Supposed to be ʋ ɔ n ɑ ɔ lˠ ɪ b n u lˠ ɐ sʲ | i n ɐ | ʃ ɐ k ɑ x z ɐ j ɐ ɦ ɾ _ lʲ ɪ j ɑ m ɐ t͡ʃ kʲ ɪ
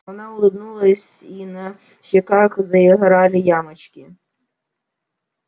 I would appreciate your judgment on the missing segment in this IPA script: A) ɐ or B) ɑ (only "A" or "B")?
B